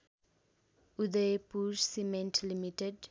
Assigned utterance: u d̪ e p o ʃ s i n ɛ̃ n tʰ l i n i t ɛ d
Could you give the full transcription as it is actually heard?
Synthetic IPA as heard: u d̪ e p u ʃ s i m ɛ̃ n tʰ l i m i t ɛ d